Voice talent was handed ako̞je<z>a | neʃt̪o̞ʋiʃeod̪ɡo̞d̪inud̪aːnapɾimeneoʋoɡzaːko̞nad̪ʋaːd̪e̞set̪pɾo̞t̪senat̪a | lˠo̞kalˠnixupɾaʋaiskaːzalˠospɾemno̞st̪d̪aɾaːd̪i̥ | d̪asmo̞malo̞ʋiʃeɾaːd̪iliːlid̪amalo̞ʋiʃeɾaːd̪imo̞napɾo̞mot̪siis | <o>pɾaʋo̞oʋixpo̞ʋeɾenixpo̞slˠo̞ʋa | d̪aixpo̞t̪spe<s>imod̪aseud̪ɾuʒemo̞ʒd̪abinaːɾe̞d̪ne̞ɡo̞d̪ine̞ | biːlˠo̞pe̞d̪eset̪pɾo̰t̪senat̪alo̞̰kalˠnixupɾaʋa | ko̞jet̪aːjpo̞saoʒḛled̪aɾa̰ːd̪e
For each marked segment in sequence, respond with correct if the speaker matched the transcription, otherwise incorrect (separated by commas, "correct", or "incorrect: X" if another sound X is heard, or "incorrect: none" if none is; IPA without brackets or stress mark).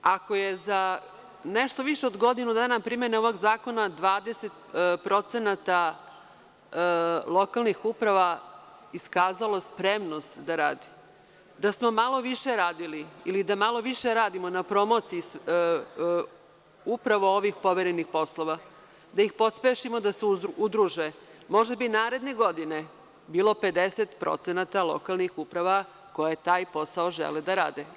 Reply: correct, incorrect: u, incorrect: ʃ